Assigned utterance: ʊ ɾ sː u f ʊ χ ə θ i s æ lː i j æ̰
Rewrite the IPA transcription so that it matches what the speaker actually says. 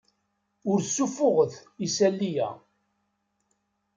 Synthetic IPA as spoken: ʊ ɾ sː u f ʊ ʁ ə θ i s æ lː i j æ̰